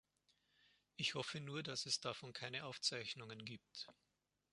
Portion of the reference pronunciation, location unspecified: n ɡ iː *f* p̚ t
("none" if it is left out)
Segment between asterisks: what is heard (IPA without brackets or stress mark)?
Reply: none